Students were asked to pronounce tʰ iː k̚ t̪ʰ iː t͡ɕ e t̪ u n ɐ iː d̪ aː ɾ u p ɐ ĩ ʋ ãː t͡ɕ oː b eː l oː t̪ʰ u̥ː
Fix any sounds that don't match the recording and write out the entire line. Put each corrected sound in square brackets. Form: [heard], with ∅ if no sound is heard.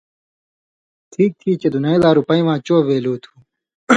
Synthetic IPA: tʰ iː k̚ t̪ʰ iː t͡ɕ e [d̪] u n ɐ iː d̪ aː ɾ u p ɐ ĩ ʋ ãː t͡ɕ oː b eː l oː t̪ʰ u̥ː